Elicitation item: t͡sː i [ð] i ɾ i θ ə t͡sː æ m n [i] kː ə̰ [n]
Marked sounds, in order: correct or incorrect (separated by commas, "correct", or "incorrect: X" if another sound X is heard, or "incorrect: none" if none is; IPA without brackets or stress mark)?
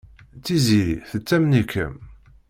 incorrect: z, correct, incorrect: m